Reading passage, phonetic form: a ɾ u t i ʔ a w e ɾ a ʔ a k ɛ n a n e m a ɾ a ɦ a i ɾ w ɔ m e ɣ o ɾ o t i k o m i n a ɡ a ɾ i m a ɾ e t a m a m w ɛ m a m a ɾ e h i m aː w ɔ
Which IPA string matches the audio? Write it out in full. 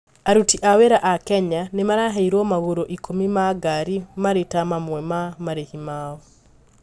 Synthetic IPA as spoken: a ɾ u t i ʔ a w e ɾ a ʔ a k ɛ ɲ a n e m a ɾ a ɦ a i ɾ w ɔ m a ɣ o ɾ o ʔ i k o m i m a ɡ a ɾ i m a ɾ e t a m a m w ɛ m a m a ɾ e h i m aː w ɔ